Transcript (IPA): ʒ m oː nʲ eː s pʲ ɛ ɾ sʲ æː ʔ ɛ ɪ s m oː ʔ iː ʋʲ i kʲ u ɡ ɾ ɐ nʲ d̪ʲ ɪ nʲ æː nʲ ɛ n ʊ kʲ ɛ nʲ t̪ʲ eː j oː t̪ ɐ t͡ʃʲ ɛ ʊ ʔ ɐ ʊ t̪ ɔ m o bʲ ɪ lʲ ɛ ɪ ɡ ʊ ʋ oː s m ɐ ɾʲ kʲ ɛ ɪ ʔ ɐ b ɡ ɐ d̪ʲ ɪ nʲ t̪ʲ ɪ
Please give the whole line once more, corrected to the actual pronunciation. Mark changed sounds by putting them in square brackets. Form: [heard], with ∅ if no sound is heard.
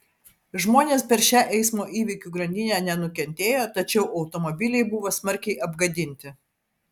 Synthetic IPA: ʒ m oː nʲ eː s pʲ ɛ ɾ [ʃʲ] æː ʔ ɛ ɪ s m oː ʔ iː ʋʲ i kʲ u ɡ ɾ ɐ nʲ d̪ʲ ɪ nʲ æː nʲ ɛ n ʊ kʲ ɛ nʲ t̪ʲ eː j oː t̪ ɐ t͡ʃʲ ɛ ʊ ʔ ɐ ʊ t̪ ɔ m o bʲ ɪ lʲ ɛ ɪ [b] ʊ ʋ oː s m ɐ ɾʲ kʲ ɛ ɪ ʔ ɐ b ɡ ɐ d̪ʲ ɪ nʲ t̪ʲ ɪ